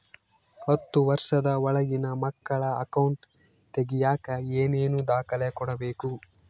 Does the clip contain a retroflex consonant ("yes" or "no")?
yes